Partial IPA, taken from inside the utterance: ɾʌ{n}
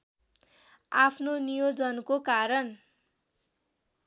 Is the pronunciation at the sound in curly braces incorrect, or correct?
correct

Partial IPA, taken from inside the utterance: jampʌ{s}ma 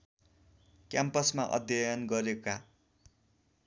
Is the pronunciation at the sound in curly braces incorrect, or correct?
correct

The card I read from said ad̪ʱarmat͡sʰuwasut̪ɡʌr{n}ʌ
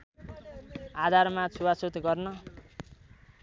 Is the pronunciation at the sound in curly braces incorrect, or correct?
correct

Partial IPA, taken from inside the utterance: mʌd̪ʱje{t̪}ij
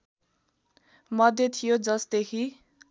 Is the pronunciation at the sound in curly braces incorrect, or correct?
incorrect: t̪ʰ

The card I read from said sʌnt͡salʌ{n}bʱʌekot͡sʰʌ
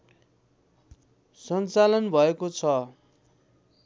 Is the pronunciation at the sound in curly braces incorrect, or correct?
correct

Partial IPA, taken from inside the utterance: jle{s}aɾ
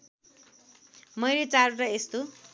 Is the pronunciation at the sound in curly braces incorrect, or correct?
incorrect: t͡s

